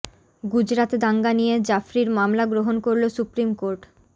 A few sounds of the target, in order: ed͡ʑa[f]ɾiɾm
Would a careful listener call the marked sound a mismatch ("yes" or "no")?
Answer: no